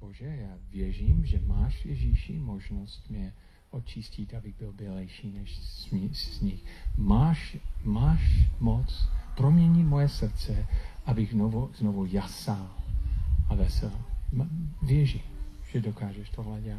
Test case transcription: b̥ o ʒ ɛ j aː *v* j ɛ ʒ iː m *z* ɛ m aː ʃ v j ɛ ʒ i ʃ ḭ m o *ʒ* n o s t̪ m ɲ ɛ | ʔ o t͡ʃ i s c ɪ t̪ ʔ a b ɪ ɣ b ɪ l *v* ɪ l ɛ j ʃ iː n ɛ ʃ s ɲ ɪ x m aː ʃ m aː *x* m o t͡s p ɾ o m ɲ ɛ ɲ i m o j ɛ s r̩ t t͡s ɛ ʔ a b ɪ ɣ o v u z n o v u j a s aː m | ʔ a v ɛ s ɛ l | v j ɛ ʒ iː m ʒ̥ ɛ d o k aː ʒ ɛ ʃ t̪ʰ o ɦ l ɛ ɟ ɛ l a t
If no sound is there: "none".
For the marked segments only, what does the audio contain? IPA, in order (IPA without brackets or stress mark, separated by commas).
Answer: v, ʒ, ʒ, b, ʃ